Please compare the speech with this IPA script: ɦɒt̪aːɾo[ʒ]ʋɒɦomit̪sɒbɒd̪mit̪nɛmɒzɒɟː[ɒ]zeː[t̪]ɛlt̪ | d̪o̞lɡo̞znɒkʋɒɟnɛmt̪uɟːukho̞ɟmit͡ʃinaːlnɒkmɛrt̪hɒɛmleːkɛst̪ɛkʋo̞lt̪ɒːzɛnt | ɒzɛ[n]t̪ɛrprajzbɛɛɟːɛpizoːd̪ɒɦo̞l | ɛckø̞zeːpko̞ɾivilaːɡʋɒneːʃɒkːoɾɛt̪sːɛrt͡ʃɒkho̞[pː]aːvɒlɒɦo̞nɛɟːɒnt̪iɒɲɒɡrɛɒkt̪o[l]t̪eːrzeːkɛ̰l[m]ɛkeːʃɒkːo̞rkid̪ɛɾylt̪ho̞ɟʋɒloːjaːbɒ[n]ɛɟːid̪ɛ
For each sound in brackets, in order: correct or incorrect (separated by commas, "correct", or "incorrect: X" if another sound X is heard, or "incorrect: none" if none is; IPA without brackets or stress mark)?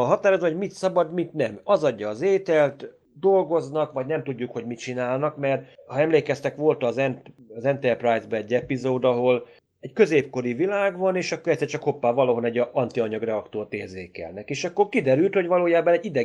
incorrect: z, incorrect: ɒː, correct, correct, correct, incorrect: r, incorrect: n, correct